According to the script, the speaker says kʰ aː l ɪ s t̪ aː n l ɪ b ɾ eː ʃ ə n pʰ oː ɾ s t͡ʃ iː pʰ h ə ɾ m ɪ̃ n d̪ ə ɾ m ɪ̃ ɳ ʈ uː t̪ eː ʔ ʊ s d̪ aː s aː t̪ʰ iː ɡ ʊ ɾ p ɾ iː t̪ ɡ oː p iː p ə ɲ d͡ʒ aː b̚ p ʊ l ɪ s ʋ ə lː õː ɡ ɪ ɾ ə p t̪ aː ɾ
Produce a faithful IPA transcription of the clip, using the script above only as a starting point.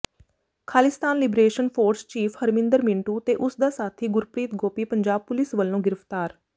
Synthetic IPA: kʰ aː l ɪ s t̪ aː n l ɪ b ɾ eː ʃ ə n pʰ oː ɾ s t͡ʃ iː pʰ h ə ɾ m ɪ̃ n d̪ ə ɾ m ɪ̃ ɳ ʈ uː t̪ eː ʔ ʊ s d̪ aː s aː t̪ʰ iː ɡ ʊ ɾ p ɾ iː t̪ ɡ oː p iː p ə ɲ d͡ʒ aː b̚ p ʊ l ɪ s ʋ ə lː õː ɡ ɪ ɾ ə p t̪ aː ɾ